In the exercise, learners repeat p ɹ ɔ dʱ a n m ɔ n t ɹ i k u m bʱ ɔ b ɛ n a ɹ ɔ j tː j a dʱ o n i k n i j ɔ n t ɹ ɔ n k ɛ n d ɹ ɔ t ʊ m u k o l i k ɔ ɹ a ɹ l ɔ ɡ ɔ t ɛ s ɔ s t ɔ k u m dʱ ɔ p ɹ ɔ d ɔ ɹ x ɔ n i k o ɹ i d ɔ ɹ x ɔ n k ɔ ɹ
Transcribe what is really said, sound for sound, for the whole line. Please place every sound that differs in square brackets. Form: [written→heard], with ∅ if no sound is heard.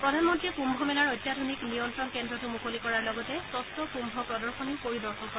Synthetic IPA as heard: p ɹ ɔ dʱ a n m ɔ n t ɹ i k u m bʱ ɔ [b→m] ɛ n a ɹ ɔ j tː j a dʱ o n i k n i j ɔ n t ɹ ɔ n k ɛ n d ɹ ɔ t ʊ m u k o l i k ɔ ɹ a ɹ l ɔ ɡ ɔ t ɛ s ɔ s t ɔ k u m [dʱ→bʱ] ɔ p ɹ ɔ d ɔ ɹ x ɔ n i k o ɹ i d ɔ ɹ x ɔ n k ɔ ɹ

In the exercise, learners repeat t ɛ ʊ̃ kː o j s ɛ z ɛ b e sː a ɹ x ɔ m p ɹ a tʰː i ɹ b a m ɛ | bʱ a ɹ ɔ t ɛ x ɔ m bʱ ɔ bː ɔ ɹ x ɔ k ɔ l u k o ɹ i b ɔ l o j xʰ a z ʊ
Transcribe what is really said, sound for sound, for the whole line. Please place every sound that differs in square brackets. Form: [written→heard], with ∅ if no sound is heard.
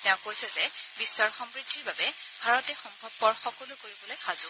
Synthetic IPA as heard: t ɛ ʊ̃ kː o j s ɛ z ɛ b [e→i] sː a ɹ x ɔ m p ɹ [a→i] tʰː i ɹ b a [m→b] ɛ | bʱ a ɹ ɔ t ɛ x ɔ m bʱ ɔ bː ɔ ɹ x ɔ k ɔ l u k o ɹ i b ɔ l o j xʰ a z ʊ

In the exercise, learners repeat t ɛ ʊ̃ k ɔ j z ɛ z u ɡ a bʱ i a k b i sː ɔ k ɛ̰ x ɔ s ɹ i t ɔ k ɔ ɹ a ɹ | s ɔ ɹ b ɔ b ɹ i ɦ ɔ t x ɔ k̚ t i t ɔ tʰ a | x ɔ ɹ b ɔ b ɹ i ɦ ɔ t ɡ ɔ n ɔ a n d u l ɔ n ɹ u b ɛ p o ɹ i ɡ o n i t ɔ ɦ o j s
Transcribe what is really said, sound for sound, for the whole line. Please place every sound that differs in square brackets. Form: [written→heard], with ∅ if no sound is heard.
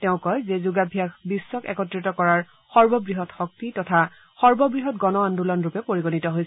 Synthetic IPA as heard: t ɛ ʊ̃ k ɔ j z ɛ z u ɡ a bʱ i a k b i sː ɔ k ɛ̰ [x→k] ɔ [s→t] ɹ i t ɔ k ɔ ɹ a ɹ | [s→x] ɔ ɹ b ɔ b ɹ i ɦ ɔ t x ɔ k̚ t i t ɔ tʰ a | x ɔ ɹ b ɔ b ɹ i ɦ ɔ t ɡ ɔ n ɔ a n d u l ɔ n ɹ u [b→p] ɛ p o ɹ i ɡ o n i t ɔ ɦ o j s

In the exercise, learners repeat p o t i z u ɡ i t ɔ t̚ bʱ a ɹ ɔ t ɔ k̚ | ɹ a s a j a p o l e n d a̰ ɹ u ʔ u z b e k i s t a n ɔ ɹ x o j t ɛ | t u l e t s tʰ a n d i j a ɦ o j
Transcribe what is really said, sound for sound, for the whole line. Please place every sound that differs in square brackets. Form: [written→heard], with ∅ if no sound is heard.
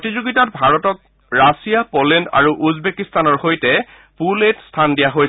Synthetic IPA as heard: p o t i z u ɡ i t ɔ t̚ bʱ a ɹ ɔ t ɔ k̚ | ɹ a s [a→i] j a p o l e n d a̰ ɹ u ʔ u z b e k i s t a n ɔ ɹ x o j t ɛ | [t→p] u l e t s tʰ a n d i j a ɦ o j

